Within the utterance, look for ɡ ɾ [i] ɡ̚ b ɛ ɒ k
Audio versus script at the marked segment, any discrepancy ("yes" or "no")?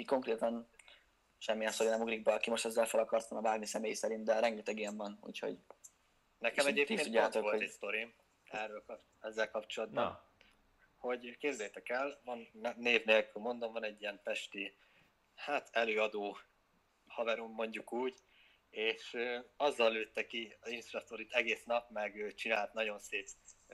no